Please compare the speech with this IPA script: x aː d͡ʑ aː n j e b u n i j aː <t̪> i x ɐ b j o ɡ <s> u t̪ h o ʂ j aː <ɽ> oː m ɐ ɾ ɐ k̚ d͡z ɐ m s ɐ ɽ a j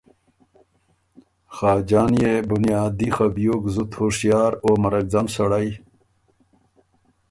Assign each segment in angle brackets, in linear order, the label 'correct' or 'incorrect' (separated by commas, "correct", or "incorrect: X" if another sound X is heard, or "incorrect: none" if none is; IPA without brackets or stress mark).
incorrect: d̪, incorrect: z, incorrect: ɾ